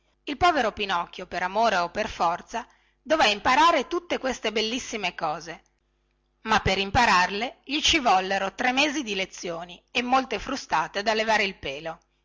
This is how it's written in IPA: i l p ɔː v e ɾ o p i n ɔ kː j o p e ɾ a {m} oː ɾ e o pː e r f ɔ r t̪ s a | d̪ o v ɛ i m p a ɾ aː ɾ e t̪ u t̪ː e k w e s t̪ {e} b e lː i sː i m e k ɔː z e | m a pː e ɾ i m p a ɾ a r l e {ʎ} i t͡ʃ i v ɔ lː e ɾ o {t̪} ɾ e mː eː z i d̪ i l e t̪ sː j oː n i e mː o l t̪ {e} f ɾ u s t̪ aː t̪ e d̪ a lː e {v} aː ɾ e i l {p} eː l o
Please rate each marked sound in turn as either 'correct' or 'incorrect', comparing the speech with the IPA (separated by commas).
correct, correct, correct, correct, correct, correct, correct